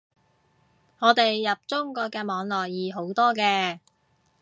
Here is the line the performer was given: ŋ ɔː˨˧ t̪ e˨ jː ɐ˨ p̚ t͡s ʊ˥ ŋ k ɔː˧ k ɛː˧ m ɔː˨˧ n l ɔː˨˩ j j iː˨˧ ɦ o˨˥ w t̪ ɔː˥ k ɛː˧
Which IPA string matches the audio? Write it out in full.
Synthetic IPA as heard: ŋ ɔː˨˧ t̪ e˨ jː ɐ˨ p̚ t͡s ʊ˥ ŋ k ɔː˧ k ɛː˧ m ɔː˨˧ ŋ l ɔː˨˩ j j iː˨˧ ɦ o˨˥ w t̪ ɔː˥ k ɛː˧